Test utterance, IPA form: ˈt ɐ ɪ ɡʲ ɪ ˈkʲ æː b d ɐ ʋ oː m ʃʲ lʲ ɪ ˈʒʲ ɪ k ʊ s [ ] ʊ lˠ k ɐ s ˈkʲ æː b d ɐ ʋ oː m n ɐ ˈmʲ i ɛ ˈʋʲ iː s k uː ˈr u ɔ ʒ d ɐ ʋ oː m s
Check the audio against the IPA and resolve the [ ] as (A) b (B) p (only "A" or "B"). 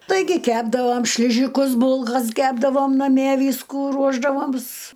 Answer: A